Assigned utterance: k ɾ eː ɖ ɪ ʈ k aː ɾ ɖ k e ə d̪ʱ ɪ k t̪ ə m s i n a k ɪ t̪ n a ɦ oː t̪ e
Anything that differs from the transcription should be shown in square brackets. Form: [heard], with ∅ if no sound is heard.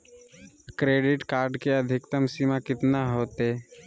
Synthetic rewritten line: k ɾ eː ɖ ɪ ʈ k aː ɾ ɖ k e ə d̪ʱ ɪ k t̪ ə m s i [m] a k ɪ t̪ n a ɦ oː t̪ e